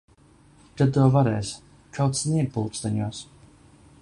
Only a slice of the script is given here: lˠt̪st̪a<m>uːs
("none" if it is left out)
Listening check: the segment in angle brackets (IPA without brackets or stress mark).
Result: ɲ